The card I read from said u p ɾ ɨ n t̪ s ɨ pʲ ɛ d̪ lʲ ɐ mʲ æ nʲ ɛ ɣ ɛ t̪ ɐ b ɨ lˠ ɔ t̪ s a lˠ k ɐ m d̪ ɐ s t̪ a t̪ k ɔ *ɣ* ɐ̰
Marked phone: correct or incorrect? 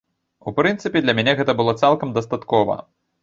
incorrect